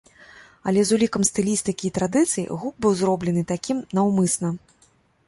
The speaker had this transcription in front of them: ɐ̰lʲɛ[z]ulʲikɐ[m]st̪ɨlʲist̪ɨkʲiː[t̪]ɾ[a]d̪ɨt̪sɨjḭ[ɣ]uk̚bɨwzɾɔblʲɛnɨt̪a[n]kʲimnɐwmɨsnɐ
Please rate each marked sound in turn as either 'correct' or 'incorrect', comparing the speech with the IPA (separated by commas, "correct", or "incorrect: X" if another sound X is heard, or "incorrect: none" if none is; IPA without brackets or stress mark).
correct, correct, correct, correct, correct, incorrect: none